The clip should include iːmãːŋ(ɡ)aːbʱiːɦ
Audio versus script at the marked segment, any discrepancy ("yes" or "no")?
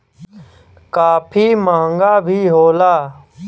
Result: no